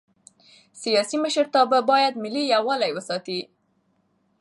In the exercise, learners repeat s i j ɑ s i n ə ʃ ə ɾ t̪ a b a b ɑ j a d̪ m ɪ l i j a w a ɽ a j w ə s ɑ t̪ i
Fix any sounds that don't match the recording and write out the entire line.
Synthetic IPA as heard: s i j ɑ s i m ə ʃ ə ɾ t̪ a b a b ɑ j a d̪ m ɪ l i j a w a l a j w ə s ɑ t̪ i